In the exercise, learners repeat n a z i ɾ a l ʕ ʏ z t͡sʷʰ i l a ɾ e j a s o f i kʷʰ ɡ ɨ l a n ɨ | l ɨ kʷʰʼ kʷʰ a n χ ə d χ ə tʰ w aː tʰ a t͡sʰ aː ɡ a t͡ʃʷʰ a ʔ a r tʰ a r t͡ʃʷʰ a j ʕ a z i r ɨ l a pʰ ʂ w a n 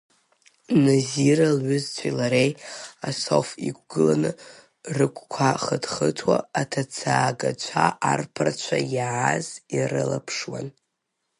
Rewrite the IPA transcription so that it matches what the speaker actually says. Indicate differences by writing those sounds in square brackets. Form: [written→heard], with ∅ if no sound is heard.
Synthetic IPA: n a z i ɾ a l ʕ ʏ z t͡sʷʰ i l a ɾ e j a s o f i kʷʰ ɡ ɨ l a n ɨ | [l→r] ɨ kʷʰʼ kʷʰ a [n→∅] χ ə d χ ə tʰ w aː tʰ a t͡sʰ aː ɡ a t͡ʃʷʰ a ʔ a r [tʰ→pʰ] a r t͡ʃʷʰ a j ʕ a z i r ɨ l a pʰ ʂ w a n